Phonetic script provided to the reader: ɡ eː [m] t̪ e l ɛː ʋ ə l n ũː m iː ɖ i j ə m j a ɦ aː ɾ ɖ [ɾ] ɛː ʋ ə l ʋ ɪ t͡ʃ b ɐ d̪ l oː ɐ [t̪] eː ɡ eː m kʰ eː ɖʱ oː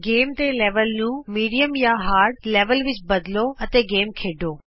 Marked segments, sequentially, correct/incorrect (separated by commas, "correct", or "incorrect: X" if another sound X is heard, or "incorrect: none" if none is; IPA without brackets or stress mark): correct, incorrect: l, correct